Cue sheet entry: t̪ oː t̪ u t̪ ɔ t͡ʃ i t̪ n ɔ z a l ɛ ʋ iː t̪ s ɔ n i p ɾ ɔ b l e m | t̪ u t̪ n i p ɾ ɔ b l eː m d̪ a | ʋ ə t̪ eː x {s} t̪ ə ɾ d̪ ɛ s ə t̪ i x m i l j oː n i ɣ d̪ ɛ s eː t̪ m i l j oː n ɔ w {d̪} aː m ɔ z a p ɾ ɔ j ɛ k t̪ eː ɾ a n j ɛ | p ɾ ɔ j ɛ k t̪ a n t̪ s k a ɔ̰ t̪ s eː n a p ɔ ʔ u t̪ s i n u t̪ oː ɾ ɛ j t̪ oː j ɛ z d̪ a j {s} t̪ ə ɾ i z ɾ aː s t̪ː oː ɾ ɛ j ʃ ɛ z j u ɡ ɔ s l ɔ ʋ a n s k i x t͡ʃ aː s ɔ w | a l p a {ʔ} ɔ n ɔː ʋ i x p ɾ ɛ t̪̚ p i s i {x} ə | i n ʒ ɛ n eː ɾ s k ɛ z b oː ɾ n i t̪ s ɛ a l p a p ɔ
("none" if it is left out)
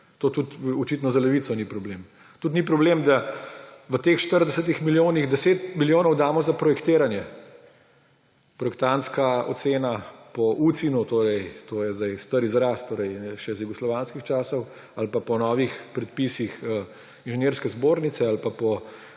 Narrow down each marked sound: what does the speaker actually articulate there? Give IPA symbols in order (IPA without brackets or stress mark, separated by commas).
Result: ʃ, d̪, s, p, x